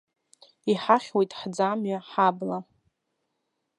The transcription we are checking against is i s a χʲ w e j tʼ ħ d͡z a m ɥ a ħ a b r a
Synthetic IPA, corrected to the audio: i ħ a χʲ w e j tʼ ħ d͡z a m ɥ a ħ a b l a